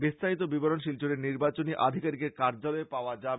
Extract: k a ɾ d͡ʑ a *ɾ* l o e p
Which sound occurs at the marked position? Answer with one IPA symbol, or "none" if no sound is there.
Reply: none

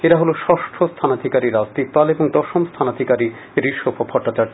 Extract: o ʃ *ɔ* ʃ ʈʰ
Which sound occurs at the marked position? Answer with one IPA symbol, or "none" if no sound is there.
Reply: ɔ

